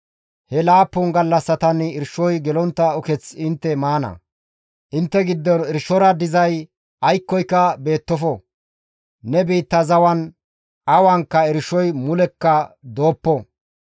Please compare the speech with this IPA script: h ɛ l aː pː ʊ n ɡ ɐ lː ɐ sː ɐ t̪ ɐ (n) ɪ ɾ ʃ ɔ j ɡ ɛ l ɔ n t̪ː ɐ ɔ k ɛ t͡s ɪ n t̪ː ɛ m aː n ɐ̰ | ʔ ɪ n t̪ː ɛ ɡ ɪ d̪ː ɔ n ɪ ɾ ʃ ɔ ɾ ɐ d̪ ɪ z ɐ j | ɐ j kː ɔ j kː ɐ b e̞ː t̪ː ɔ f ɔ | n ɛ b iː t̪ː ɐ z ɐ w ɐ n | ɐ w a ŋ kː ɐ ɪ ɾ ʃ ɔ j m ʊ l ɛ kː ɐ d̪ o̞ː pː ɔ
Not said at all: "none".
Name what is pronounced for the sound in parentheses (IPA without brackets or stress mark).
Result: n